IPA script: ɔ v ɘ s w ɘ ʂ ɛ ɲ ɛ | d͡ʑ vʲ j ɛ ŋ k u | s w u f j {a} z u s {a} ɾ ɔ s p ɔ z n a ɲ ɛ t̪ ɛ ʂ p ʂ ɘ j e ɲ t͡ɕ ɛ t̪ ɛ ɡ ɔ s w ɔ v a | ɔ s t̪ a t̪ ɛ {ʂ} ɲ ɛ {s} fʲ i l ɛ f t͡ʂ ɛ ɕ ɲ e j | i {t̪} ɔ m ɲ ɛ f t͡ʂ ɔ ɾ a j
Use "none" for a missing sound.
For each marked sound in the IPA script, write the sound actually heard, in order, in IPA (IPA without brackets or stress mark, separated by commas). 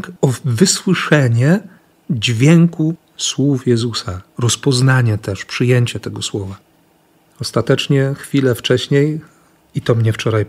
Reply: ɛ, a, t͡ʂ, x, t̪